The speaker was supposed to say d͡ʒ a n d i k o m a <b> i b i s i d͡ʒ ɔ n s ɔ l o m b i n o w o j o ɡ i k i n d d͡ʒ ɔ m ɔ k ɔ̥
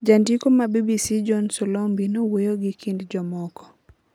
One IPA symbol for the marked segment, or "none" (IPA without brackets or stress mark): b